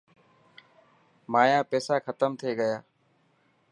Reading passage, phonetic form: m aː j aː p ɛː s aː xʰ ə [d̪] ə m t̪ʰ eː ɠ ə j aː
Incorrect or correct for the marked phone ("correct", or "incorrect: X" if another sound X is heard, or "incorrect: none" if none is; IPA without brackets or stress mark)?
incorrect: t̪